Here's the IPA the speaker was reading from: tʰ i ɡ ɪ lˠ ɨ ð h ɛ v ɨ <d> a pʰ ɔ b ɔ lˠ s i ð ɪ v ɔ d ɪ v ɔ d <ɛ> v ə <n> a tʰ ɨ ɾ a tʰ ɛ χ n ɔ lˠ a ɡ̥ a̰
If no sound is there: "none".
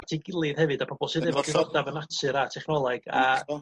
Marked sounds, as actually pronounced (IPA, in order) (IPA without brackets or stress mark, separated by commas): d, a, n